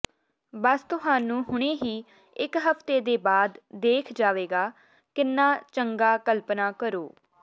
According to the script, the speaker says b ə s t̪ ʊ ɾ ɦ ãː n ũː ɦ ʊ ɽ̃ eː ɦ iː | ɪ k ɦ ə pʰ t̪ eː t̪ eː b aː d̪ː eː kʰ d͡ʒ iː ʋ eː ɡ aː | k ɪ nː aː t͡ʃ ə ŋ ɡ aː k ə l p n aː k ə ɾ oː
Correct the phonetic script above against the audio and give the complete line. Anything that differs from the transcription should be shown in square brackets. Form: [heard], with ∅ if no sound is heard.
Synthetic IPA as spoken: b ə s t̪ ʊ [∅] ɦ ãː n ũː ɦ ʊ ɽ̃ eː ɦ iː | ɪ k ɦ ə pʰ t̪ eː [d̪] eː b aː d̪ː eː kʰ d͡ʒ [aː] ʋ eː ɡ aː | k ɪ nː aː t͡ʃ ə ŋ ɡ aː k ə l p n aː k ə ɾ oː